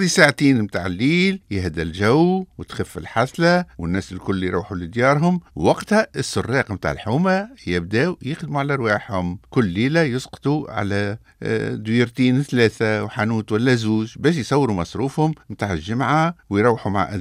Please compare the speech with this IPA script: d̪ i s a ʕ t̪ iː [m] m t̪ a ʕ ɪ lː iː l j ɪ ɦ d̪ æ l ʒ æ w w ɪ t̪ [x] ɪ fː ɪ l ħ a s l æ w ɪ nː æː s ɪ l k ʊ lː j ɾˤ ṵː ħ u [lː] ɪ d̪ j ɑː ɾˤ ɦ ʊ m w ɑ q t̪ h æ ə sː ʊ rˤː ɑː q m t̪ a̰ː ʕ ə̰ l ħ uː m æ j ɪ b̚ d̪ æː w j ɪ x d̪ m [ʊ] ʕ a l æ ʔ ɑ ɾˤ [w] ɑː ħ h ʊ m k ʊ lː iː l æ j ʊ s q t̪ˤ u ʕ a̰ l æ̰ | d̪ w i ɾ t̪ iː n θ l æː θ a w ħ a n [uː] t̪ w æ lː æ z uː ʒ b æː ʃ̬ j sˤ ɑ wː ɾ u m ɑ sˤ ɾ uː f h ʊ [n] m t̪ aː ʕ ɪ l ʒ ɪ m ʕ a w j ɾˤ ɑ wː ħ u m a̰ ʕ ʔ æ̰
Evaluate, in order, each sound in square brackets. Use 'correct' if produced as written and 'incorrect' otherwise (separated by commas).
incorrect, correct, incorrect, incorrect, correct, correct, incorrect